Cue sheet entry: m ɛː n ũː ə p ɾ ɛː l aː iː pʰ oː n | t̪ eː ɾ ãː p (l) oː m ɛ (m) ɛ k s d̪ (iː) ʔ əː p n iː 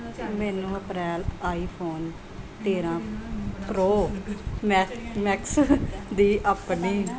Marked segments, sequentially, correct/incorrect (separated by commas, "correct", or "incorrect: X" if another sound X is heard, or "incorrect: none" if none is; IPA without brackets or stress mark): incorrect: ɾ, correct, correct